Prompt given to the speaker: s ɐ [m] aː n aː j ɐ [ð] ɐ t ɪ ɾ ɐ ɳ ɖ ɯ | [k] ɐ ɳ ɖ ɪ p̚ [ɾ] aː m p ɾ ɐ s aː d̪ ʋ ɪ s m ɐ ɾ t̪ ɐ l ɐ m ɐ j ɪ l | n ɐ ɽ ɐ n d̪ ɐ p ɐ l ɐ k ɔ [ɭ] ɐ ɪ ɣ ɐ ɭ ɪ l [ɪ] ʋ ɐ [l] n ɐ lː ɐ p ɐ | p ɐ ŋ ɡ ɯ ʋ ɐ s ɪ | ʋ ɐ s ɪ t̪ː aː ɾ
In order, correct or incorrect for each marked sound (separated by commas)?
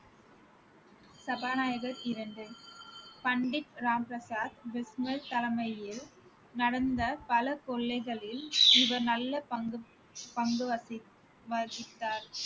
incorrect, incorrect, incorrect, correct, incorrect, correct, incorrect